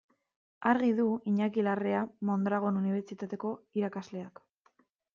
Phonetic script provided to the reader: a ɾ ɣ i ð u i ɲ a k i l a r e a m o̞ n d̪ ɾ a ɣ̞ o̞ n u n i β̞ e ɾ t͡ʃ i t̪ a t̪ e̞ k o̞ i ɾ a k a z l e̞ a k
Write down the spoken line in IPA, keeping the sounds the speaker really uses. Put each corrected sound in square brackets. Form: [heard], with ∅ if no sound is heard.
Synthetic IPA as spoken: a ɾ ɣ i ð u i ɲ a k i l a r e a m o̞ n d̪ ɾ a ɣ̞ o̞ n u n i β̞ e ɾ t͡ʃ i t̪ a t̪ e̞ k o̞ i ɾ a k a z l e̞ a k